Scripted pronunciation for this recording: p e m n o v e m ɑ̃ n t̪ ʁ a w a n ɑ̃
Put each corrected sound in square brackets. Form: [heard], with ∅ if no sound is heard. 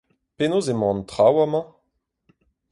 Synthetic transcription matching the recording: p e [∅] n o [z] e m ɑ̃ n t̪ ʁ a w a [m] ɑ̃